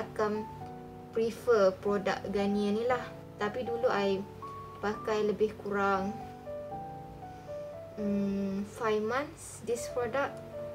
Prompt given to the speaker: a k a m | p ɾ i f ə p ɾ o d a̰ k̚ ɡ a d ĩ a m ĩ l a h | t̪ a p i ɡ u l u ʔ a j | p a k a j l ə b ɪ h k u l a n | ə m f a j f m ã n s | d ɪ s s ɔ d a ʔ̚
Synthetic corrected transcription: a k a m | p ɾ i f ə p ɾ o d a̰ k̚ ɡ a n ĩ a n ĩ l a h | t̪ a p i d u l u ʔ a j | p a k a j l ə b ɪ h k u ɾ a ŋ | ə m f a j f m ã n s | d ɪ s f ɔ d a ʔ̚

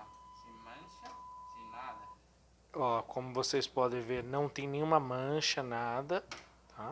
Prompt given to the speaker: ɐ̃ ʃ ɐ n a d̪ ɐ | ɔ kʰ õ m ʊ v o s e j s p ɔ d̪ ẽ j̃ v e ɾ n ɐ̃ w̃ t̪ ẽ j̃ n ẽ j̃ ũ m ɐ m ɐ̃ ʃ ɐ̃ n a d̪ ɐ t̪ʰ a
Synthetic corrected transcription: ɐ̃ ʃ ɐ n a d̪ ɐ | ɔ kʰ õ m ʊ v o s e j s p ɔ d̪ ẽ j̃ v e ɾ n ɐ̃ w̃ t̪ ẽ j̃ n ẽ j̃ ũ m ɐ m ɐ̃ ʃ ɐ n a d̪ ɐ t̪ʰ a

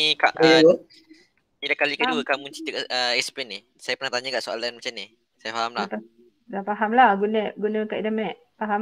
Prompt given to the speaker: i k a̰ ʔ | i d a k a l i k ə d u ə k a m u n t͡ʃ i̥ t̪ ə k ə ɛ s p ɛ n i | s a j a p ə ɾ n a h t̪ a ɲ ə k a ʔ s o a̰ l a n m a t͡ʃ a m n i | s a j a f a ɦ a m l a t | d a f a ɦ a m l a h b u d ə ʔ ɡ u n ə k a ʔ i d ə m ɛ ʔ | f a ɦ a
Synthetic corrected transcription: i k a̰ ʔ | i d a k a l i k ə d u ə k a m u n t͡ʃ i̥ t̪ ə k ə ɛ s p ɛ n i | s a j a p ə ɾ n a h t̪ a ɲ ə k a ʔ s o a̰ l a n m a t͡ʃ a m n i | s a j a f a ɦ a m l a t | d a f a ɦ a m l a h ɡ u n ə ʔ ɡ u n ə k a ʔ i d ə m ɛ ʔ | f a ɦ a

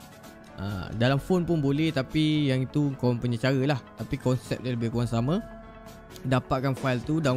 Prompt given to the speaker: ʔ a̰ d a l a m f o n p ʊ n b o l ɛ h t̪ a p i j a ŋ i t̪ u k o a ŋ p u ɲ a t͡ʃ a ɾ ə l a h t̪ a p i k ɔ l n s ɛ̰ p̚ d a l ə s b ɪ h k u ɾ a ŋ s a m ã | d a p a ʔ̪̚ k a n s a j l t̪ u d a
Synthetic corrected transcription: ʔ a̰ d a l a m f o n p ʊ n b o l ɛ h t̪ a p i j a ŋ i t̪ u k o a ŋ p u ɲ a t͡ʃ a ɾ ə l a h t̪ a p i k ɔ n s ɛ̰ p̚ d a l ə b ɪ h k u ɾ a ŋ s a m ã | d a p a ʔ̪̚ k a n f a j l t̪ u d a

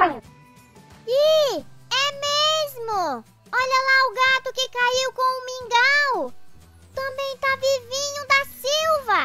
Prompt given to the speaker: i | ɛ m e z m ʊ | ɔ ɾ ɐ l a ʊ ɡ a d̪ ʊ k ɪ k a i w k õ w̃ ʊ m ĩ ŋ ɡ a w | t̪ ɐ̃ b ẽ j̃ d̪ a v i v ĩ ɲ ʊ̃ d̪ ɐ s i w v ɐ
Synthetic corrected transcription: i | ɛ m e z m ʊ | ɔ ʎ ɐ l a ʊ ɡ a t̪ ʊ k ɪ k a i w k õ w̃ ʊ m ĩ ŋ ɡ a w | t̪ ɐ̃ b ẽ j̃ t̪ a v i v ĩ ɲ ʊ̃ d̪ ɐ s i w v ɐ

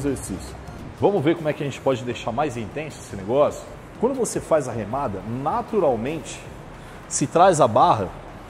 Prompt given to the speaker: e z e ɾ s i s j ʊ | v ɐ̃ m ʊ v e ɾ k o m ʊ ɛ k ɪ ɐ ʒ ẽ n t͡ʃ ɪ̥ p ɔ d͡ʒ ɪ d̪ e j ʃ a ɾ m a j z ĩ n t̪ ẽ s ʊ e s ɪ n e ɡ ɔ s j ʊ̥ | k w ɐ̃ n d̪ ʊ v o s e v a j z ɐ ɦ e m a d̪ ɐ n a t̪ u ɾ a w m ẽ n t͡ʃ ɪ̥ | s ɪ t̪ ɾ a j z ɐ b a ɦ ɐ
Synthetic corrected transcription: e z e ɾ s i s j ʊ | v ɐ̃ m ʊ v e ɾ k o m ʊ ɛ k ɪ ɐ ʒ ẽ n t͡ʃ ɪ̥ p ɔ d͡ʒ ɪ d̪ e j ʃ a ɾ m a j z ĩ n t̪ ẽ s ʊ e s ɪ n e ɡ ɔ s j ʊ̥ | k w ɐ̃ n d̪ ʊ v o s e f a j z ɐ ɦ e m a d̪ ɐ n a t̪ u ɾ a w m ẽ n t͡ʃ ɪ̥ | s ɪ t̪ ɾ a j z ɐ b a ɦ ɐ

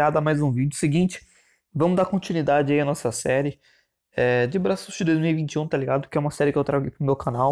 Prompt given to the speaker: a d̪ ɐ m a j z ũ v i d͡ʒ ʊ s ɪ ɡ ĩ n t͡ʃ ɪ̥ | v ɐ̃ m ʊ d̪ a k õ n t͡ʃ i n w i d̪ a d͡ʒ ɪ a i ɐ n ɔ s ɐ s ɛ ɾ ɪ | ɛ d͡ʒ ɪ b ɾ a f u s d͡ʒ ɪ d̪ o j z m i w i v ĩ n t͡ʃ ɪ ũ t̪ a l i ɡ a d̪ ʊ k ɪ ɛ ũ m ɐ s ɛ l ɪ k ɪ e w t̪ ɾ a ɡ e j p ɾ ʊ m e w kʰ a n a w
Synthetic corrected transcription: a d̪ ɐ m a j z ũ v i d͡ʒ ʊ s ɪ ɡ ĩ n t͡ʃ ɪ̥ | v ɐ̃ m ʊ d̪ a k õ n t͡ʃ i n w i d̪ a d͡ʒ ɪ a i ɐ n ɔ s ɐ s ɛ ɾ ɪ | ɛ d͡ʒ ɪ b ɾ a s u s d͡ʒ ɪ d̪ o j z m i w i v ĩ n t͡ʃ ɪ ũ t̪ a l i ɡ a d̪ ʊ k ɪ ɛ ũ m ɐ s ɛ ɾ ɪ k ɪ e w t̪ ɾ a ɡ e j p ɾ ʊ m e w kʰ a n a w

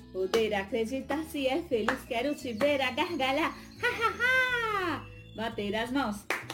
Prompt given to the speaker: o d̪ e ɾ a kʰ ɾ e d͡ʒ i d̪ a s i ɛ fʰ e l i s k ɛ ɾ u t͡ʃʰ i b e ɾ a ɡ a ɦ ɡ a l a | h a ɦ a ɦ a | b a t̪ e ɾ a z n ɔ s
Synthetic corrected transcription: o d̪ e ɾ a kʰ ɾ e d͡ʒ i t̪ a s i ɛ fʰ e l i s k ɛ ɾ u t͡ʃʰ i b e ɾ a ɡ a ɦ ɡ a l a | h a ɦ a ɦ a | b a t̪ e ɾ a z n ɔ s

